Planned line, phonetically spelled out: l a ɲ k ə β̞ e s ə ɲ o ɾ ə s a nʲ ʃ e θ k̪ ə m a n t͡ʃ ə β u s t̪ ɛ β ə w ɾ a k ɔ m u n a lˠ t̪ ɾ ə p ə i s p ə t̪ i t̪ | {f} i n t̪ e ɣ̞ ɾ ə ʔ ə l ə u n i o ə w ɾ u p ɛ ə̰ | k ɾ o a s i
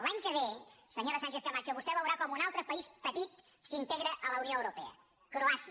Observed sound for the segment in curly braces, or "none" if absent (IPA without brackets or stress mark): s